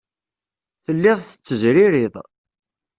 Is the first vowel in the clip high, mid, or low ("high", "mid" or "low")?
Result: mid